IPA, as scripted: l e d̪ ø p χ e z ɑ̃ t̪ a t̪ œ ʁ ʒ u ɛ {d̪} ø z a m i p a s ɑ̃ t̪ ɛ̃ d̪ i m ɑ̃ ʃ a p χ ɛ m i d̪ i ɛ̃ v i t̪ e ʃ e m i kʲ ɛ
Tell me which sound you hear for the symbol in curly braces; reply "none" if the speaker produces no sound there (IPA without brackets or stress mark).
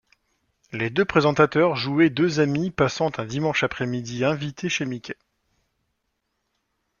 d̪